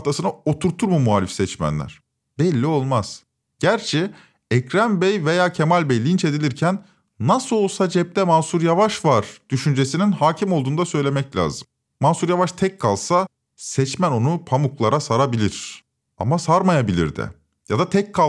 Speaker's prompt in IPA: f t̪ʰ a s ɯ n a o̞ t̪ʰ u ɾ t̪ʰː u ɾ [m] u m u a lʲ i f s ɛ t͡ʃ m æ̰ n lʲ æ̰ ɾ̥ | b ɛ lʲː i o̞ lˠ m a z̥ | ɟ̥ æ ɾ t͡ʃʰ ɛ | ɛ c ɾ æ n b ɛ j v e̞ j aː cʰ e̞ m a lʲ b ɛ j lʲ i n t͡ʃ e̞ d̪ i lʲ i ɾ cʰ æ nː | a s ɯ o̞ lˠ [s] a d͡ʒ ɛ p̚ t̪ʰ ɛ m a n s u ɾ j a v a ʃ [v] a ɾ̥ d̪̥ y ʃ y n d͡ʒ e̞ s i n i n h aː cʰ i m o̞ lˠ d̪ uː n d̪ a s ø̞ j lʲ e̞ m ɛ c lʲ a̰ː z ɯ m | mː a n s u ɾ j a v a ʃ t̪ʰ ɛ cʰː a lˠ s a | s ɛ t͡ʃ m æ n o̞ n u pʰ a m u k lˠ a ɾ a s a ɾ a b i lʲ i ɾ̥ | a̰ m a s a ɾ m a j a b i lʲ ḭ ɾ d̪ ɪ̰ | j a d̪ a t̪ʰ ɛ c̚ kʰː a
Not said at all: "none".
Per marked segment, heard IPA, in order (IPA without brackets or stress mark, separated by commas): m, s, v